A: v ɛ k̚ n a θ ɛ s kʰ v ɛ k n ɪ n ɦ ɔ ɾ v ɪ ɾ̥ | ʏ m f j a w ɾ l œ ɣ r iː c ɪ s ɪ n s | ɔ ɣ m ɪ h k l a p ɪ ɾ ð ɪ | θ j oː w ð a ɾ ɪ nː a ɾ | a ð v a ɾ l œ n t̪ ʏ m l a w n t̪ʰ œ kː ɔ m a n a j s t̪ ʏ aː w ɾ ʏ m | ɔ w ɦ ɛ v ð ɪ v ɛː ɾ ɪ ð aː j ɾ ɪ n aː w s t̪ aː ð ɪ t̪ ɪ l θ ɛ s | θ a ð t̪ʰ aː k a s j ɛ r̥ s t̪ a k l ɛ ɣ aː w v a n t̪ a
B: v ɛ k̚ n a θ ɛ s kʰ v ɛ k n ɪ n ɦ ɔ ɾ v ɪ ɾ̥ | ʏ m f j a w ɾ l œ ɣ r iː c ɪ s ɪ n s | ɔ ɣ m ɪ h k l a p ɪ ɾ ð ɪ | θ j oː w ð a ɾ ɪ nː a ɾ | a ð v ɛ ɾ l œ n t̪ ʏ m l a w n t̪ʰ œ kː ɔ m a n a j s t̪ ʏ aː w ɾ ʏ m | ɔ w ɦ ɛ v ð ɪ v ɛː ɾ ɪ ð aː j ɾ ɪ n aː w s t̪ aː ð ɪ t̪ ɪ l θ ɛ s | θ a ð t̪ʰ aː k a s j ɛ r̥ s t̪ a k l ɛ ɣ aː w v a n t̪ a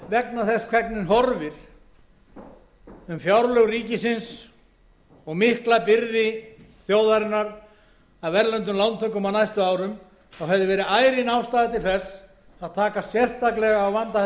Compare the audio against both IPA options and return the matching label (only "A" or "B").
B